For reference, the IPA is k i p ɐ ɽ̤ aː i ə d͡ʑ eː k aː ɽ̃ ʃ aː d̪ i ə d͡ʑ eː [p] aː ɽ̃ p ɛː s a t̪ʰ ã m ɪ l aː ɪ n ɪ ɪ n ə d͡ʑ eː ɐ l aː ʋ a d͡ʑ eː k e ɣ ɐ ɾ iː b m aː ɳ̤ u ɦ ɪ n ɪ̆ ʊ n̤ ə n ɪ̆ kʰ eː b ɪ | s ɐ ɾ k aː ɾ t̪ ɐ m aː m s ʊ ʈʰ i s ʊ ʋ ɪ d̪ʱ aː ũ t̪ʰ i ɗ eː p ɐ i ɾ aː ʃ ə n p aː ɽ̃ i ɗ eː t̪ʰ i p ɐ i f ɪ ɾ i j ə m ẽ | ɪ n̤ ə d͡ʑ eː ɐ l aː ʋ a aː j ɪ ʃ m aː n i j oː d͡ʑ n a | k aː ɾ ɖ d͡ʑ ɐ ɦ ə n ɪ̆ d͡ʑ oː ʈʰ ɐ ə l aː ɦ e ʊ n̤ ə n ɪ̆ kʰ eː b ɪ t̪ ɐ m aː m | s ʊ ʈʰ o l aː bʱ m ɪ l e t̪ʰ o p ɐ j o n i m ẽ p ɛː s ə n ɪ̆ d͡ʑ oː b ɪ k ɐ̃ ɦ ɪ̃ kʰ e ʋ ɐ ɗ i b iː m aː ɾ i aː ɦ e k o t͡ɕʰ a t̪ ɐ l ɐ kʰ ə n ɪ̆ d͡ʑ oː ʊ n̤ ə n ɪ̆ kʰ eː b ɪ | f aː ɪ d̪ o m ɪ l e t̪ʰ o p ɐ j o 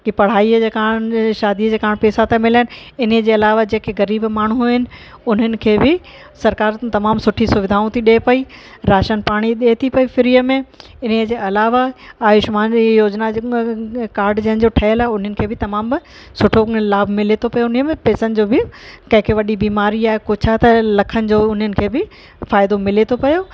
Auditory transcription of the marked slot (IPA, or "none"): k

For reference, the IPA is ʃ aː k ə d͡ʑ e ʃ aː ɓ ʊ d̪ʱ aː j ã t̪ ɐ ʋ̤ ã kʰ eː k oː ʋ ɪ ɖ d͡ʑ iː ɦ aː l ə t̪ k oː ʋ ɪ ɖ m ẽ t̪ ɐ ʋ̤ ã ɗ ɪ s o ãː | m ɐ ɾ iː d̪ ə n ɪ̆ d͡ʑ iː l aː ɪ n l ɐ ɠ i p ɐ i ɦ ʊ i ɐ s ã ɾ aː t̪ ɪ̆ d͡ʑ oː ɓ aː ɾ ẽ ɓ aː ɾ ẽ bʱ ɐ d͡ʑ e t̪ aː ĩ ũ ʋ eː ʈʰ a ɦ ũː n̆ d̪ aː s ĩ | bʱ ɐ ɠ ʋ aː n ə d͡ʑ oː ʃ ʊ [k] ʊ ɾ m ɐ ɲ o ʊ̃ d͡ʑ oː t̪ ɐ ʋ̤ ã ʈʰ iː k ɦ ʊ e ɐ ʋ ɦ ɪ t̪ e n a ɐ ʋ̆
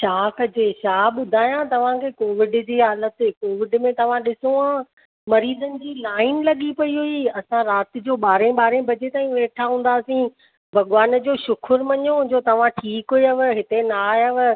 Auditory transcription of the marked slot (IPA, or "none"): kʰ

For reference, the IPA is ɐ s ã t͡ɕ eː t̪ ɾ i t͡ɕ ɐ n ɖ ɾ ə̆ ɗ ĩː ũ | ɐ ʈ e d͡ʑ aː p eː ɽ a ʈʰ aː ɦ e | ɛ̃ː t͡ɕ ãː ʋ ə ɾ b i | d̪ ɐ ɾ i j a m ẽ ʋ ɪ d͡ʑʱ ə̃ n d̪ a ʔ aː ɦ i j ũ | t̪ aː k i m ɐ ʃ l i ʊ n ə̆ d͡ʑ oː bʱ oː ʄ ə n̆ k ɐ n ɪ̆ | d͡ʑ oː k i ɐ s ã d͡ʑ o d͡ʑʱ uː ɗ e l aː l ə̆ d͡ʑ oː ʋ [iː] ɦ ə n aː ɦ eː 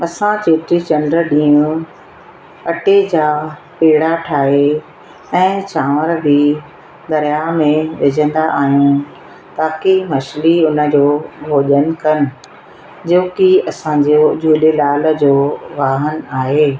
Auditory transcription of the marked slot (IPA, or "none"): aː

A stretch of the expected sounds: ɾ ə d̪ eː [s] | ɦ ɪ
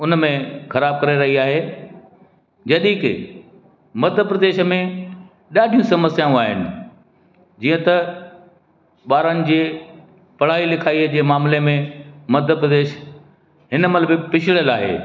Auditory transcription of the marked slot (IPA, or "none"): ʃ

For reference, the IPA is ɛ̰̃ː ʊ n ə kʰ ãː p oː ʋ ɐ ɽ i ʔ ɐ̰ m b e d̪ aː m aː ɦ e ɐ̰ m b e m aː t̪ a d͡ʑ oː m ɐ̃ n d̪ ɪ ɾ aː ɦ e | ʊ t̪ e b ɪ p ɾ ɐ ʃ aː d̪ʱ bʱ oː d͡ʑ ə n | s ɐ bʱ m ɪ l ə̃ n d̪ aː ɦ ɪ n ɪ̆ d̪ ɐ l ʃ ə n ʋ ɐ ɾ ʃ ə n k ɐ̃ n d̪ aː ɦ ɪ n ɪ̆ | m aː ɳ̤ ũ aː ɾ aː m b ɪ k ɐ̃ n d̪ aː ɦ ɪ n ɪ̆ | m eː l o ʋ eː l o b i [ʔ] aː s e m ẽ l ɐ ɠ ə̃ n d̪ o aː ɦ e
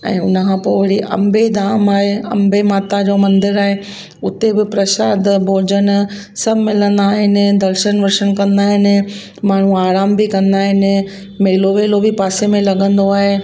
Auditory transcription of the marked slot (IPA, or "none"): p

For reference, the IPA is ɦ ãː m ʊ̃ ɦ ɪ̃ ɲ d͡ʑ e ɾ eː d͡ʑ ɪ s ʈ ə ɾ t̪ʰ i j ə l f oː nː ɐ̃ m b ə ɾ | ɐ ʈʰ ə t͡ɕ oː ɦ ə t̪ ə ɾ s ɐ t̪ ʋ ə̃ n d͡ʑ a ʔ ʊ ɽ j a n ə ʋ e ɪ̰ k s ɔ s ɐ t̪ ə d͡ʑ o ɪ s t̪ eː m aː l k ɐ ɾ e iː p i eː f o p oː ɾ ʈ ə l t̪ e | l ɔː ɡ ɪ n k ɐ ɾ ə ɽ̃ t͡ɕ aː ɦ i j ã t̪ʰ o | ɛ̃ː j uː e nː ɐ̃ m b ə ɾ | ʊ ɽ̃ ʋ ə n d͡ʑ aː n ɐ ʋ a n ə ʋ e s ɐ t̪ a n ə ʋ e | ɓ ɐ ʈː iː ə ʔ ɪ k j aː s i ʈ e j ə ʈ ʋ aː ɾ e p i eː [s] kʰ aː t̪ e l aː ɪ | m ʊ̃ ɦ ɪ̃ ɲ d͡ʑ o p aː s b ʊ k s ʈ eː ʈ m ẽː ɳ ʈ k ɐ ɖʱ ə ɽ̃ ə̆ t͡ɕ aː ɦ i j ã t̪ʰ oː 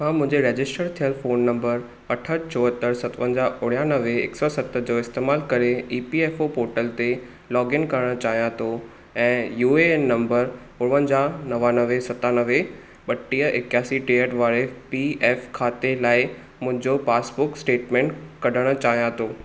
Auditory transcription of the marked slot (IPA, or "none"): f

